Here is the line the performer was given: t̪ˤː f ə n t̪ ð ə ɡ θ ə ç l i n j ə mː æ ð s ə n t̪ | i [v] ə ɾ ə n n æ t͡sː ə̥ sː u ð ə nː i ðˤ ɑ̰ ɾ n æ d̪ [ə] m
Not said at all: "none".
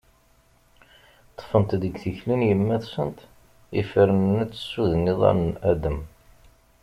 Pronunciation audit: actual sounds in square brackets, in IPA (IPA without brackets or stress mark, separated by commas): f, ə